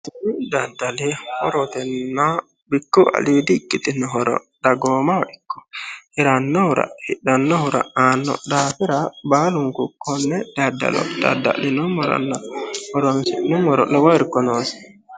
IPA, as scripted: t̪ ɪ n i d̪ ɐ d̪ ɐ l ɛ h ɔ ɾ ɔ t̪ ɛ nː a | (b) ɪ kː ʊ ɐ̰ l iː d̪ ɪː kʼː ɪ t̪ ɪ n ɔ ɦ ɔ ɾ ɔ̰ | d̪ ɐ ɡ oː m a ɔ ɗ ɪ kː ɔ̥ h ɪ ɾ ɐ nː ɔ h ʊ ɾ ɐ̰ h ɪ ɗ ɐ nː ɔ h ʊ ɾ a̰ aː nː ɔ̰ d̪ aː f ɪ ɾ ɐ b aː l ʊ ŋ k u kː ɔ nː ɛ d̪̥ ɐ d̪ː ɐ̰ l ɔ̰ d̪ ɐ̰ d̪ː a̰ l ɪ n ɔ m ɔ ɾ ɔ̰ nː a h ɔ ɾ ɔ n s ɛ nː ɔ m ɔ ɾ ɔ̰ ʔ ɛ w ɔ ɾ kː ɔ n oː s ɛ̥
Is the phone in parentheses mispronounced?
no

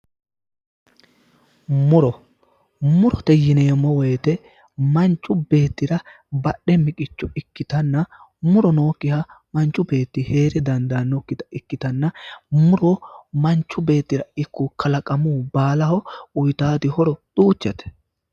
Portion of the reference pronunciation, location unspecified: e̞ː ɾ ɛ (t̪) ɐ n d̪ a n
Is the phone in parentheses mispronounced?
yes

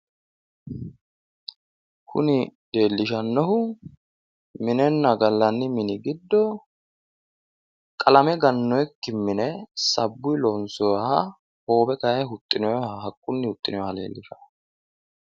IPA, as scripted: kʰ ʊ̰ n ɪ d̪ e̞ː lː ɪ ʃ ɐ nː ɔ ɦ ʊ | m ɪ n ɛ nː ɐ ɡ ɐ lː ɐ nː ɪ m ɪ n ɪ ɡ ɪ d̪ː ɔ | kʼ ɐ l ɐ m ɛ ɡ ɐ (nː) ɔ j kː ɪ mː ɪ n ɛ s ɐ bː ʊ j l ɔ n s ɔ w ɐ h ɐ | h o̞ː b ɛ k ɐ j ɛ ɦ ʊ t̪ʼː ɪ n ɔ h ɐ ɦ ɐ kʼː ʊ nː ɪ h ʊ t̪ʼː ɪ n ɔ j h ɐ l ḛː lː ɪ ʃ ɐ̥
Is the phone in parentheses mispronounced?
no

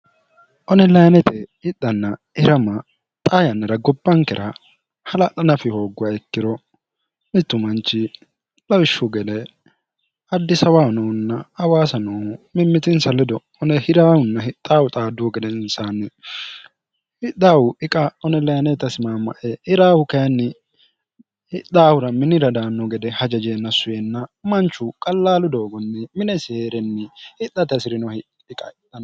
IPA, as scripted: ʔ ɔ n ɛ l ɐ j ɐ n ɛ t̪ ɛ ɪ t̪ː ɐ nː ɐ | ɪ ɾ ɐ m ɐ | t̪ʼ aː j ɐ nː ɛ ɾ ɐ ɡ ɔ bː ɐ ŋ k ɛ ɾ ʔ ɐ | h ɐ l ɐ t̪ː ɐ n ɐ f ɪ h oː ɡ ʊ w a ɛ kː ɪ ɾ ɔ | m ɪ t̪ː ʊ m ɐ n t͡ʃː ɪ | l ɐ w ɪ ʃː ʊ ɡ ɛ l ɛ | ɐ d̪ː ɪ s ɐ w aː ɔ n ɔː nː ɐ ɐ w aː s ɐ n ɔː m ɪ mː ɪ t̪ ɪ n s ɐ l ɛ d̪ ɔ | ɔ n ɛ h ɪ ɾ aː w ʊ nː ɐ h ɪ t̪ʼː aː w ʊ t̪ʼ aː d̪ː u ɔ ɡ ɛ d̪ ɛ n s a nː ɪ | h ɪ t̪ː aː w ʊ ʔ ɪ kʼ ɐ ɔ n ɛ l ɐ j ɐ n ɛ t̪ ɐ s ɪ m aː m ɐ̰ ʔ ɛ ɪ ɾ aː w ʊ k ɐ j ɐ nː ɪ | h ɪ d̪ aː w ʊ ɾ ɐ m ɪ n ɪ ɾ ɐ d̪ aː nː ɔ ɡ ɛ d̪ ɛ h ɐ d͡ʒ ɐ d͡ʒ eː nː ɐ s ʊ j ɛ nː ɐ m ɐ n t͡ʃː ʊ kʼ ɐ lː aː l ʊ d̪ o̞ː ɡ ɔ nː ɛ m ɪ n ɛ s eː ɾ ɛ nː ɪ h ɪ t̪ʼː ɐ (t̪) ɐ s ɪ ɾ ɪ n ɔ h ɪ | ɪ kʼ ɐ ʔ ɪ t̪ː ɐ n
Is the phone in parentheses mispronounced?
no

